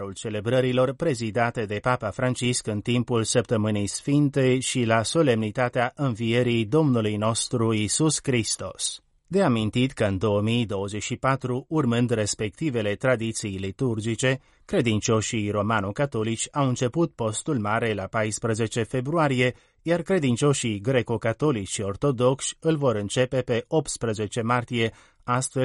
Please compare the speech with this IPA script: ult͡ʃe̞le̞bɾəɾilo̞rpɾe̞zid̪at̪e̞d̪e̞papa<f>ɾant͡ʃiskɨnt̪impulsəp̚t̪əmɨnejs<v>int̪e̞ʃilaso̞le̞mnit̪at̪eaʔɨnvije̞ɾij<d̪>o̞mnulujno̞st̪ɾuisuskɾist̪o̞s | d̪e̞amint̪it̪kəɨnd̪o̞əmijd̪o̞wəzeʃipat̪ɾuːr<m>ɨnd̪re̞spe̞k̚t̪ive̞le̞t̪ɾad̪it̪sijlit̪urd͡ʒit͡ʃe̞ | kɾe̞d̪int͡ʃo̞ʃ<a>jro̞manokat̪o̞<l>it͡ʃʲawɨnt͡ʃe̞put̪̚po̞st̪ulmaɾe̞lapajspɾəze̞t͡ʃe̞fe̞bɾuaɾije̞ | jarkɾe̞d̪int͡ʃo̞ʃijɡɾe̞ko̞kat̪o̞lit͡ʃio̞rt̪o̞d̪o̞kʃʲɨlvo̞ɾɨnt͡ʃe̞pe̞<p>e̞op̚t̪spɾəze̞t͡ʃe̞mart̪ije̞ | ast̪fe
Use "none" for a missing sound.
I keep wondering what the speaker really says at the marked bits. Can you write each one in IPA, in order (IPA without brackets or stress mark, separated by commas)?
f, f, d̪, m, i, l, p